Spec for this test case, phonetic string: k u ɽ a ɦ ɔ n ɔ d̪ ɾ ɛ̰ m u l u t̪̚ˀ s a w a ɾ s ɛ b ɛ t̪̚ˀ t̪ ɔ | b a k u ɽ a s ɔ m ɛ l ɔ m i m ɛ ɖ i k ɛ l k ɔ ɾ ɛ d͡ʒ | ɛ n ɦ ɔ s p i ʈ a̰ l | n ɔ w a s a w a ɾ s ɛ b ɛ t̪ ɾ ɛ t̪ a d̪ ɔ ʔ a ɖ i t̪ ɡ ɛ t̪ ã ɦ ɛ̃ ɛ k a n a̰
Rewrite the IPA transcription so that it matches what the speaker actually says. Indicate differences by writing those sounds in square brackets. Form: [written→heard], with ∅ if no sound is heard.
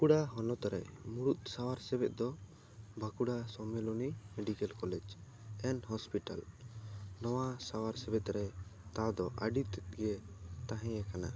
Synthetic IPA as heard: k u ɽ a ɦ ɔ n ɔ [d̪→t̪] ɾ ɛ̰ m u [l→ɽ] u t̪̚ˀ s a w a ɾ s ɛ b ɛ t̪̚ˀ [t̪→d̪] ɔ | b a k u ɽ a s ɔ m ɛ l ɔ [m→n] i m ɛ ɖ i k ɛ l k ɔ [ɾ→l] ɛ d͡ʒ | ɛ n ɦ ɔ s p i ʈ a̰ l | n ɔ w a s a w a ɾ s ɛ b ɛ t̪ ɾ ɛ t̪ a d̪ ɔ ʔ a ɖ i t̪ ɡ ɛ t̪ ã ɦ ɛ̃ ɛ k a n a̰